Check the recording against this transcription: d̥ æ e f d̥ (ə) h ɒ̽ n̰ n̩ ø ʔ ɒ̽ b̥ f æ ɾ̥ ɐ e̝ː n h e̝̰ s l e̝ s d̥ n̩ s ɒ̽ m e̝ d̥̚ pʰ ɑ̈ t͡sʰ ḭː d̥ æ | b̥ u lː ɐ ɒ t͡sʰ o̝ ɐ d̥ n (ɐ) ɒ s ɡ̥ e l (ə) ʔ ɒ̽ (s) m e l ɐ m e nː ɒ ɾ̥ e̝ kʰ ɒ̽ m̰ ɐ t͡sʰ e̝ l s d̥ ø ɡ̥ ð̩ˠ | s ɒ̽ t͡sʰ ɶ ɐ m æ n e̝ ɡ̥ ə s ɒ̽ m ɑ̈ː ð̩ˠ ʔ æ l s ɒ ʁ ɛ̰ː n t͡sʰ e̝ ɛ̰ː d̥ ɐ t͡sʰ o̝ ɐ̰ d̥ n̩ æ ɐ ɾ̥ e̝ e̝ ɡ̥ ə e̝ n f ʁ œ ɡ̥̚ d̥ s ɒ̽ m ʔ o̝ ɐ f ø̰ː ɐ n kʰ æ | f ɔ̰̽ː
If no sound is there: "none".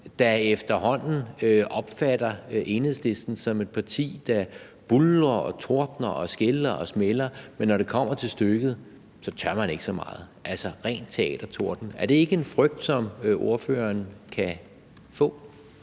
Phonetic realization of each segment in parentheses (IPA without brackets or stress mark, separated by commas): ɐ, ɐ, ɐ, s